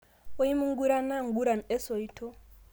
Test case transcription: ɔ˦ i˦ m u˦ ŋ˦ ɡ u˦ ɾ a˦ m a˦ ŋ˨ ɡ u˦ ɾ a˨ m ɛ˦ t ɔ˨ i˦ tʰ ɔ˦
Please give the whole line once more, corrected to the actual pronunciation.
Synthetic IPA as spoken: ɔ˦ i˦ m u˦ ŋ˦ ɡ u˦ ɾ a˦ n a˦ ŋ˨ ɡ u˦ ɾ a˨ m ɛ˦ s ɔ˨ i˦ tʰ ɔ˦